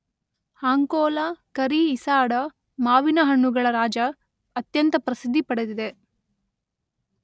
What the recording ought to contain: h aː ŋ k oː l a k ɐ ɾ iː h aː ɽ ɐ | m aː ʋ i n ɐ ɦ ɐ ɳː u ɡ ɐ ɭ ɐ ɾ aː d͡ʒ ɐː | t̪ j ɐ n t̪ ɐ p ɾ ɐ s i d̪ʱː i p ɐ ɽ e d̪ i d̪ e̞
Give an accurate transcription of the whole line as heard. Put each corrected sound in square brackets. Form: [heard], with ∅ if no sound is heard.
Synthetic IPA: h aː ŋ k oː l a k ɐ ɾ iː [s] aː ɽ ɐ | m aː ʋ i n ɐ ɦ ɐ ɳː u ɡ ɐ ɭ ɐ ɾ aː d͡ʒ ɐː | t̪ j ɐ n t̪ ɐ p ɾ ɐ s i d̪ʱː i p ɐ ɽ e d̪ i d̪ e̞